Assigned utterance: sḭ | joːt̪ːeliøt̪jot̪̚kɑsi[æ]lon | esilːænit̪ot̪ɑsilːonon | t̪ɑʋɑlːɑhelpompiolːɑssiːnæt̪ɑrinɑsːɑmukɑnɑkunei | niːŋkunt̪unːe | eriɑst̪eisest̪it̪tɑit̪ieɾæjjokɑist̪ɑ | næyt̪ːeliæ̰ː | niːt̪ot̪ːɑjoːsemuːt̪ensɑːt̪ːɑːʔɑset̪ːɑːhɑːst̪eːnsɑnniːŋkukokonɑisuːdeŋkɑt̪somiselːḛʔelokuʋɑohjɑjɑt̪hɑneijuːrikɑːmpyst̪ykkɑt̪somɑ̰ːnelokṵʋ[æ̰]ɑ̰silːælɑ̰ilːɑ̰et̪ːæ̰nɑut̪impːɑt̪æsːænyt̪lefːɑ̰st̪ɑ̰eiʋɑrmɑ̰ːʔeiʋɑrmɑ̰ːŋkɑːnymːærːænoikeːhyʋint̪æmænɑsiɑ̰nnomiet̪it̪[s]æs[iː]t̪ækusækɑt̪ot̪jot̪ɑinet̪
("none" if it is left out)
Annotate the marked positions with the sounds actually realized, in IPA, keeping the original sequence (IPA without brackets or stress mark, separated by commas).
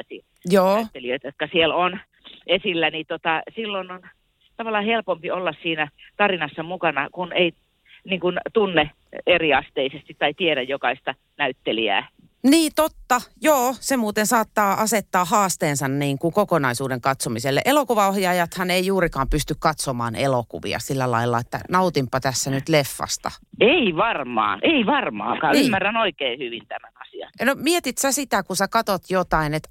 e, ḭ, s, i